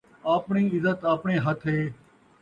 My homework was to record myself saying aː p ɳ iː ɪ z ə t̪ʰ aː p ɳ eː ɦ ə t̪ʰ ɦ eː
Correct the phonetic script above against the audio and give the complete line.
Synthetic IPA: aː p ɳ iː ɪ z ə t̪ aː p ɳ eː ɦ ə t̪ʰ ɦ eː